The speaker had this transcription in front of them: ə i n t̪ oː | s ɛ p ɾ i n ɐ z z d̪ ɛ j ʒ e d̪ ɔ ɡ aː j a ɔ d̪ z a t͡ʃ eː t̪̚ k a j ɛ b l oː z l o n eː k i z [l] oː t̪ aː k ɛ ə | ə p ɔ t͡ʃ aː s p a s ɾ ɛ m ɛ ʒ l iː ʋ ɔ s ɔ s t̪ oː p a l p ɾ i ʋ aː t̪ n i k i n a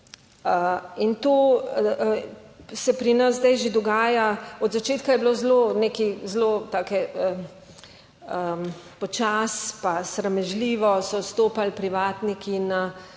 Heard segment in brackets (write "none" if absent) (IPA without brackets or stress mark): l